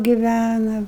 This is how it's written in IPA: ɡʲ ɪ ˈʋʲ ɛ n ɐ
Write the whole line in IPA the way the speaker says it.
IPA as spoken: ɡʲ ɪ ˈʋʲ æ n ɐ